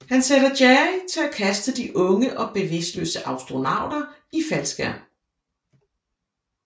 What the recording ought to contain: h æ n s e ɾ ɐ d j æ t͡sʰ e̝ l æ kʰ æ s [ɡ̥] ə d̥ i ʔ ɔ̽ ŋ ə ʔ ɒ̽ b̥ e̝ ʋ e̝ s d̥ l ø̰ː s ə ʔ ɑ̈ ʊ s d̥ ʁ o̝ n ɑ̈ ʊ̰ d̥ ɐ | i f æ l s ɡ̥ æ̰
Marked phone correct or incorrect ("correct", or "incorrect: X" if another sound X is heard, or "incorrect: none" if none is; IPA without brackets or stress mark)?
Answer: incorrect: d̥